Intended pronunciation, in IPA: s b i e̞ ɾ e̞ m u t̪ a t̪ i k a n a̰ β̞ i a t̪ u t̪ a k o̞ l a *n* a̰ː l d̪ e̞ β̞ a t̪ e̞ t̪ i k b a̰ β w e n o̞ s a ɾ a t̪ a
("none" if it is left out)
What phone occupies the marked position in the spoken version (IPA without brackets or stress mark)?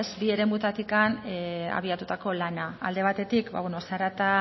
n